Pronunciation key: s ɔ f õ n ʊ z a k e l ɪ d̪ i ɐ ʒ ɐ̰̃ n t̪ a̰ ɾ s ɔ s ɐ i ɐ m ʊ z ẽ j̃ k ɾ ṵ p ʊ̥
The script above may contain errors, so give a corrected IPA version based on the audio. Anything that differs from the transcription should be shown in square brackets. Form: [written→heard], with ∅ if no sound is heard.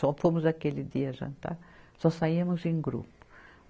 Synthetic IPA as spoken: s ɔ f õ [n→m] ʊ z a k e l ɪ d̪ i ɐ ʒ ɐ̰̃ n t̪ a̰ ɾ s ɔ s [ɐ→a] i ɐ m ʊ z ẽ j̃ [k→ɡ] ɾ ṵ p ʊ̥